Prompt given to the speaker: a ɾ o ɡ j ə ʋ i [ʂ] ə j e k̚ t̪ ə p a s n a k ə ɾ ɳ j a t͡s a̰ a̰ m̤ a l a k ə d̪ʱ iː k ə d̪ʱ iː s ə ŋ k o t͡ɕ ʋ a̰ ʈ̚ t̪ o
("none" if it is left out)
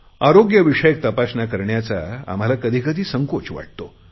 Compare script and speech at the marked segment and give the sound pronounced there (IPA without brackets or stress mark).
ʂ